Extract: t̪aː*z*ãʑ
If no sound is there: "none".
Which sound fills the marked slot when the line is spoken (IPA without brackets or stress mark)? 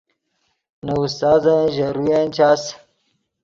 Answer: z